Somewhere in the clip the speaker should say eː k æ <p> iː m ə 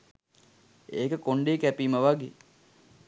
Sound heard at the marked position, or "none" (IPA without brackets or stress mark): p